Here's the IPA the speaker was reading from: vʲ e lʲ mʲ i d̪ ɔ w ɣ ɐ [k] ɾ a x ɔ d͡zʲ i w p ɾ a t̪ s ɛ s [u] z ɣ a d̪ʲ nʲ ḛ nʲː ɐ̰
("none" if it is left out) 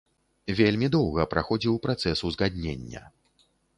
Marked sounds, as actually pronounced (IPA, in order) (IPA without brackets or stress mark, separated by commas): p, u